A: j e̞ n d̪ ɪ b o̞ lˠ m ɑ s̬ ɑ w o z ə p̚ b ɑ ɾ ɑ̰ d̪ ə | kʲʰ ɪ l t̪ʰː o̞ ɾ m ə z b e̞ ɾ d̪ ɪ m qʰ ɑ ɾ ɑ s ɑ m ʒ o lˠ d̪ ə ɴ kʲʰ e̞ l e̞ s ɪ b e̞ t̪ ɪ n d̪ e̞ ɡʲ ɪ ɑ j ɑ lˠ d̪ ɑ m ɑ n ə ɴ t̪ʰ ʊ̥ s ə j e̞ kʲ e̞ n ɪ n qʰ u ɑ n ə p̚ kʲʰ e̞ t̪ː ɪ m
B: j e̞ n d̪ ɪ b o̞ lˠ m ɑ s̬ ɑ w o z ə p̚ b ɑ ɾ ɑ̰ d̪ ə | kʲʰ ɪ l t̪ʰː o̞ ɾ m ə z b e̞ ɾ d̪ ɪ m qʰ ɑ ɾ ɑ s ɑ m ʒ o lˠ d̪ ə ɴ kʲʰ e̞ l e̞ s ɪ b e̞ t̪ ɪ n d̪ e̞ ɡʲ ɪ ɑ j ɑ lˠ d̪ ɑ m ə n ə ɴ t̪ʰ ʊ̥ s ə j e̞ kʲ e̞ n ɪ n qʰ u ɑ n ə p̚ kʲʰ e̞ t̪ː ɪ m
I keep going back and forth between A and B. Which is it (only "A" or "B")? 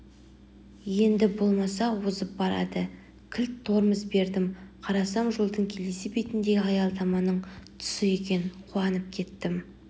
A